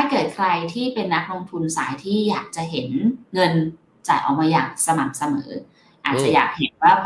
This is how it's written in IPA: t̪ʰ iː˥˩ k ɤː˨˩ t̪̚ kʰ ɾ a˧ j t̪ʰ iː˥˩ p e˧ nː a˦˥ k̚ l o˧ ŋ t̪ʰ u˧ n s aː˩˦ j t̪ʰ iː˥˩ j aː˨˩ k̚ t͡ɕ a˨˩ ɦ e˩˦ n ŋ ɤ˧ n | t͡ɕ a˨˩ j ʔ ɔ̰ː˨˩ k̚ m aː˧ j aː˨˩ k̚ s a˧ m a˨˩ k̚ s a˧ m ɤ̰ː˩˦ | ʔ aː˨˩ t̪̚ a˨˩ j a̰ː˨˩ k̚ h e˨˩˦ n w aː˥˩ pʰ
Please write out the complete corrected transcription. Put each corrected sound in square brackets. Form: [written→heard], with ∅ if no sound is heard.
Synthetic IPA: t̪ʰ [iː˥˩→aː˥˩] k ɤː˨˩ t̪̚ kʰ ɾ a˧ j t̪ʰ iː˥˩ p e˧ nː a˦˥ k̚ l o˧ ŋ t̪ʰ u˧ n s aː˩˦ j t̪ʰ iː˥˩ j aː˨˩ k̚ t͡ɕ a˨˩ ɦ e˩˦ n ŋ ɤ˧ n | t͡ɕ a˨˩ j ʔ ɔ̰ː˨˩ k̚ m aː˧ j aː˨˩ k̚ s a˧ m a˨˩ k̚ s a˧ m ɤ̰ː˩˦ | ʔ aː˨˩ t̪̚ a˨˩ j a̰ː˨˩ k̚ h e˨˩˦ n w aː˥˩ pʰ